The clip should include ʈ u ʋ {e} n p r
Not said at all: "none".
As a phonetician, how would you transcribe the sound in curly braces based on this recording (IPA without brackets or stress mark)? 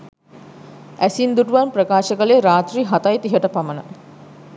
a